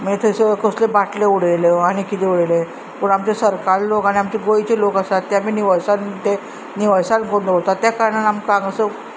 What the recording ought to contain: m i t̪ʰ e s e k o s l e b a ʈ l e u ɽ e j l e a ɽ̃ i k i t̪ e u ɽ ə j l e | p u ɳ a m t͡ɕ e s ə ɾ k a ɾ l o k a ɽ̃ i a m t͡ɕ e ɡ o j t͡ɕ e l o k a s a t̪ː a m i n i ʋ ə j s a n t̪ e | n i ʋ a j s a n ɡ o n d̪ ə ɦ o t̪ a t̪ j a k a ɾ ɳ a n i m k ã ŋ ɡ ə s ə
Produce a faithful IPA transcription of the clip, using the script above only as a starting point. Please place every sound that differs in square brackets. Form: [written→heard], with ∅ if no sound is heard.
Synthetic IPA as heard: m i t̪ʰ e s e k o s l e b a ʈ l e u ɽ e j l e a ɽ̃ i k i t̪ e u ɽ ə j l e | p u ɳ a m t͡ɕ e s ə ɾ k a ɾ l o k a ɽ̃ i a m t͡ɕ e ɡ o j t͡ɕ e l o k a s a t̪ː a m i n i ʋ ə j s a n t̪ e | n i ʋ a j s a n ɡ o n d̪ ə ɦ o t̪ a t̪ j a k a ɾ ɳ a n [i→a] m k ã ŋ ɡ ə s ə